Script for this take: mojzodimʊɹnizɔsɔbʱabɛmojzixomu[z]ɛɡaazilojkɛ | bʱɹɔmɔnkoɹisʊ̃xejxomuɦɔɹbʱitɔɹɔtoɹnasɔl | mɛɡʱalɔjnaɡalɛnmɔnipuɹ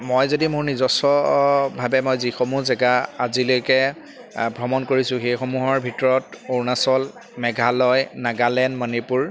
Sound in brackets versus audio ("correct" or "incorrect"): correct